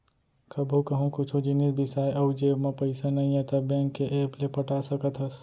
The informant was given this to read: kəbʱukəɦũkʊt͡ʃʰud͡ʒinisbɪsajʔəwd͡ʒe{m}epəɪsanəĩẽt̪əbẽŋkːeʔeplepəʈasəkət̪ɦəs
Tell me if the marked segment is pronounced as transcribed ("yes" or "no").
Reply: yes